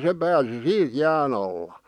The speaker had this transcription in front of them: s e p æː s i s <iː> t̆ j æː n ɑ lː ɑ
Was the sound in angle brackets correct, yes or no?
yes